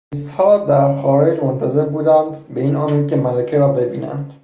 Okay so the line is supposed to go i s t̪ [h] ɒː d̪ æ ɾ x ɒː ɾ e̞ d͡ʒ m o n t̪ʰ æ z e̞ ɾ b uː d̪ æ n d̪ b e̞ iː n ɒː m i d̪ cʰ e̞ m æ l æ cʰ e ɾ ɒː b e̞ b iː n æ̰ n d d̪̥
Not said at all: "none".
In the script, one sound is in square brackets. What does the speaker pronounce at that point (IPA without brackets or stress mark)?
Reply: h